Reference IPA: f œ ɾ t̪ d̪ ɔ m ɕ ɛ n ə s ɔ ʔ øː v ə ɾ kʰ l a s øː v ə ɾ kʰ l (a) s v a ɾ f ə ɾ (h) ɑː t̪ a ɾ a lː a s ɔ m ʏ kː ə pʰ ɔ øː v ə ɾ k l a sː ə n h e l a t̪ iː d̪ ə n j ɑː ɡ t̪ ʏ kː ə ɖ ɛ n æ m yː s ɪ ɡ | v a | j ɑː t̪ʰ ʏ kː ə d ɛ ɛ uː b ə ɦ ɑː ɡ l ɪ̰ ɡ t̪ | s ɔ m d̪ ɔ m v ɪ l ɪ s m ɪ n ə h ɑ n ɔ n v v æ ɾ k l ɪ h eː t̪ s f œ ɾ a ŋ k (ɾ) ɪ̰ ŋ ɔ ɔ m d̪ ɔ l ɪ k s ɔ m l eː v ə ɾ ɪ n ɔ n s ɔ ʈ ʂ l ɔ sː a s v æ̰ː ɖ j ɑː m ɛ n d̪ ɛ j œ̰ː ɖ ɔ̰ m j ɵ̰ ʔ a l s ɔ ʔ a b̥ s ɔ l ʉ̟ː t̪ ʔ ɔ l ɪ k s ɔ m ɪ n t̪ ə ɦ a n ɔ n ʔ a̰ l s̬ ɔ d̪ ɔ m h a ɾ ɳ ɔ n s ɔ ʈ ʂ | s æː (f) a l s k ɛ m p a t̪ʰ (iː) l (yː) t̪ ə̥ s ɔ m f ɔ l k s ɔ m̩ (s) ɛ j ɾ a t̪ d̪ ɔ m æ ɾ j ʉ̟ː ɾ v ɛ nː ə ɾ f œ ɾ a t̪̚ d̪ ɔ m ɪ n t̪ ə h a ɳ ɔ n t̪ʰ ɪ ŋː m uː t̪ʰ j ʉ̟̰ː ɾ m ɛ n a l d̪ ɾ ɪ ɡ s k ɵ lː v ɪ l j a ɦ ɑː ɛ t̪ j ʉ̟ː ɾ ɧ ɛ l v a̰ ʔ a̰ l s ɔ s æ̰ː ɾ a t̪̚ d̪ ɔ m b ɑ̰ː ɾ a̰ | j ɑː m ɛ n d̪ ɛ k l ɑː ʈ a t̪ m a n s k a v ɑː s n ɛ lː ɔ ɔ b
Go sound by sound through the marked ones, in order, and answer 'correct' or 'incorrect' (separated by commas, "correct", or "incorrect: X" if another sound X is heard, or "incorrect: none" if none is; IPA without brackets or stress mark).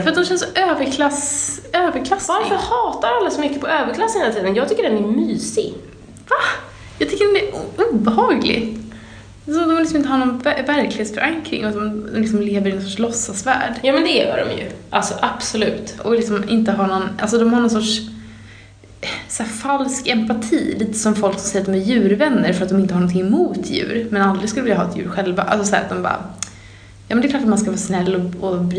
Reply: correct, correct, correct, correct, correct, incorrect: iː, correct